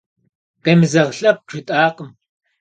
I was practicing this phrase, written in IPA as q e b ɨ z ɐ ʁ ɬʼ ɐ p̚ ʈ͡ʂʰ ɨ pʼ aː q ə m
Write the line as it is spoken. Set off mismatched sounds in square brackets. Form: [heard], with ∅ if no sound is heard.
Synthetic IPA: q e [m] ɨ z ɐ ʁ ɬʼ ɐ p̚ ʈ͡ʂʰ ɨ [tʼ] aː q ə m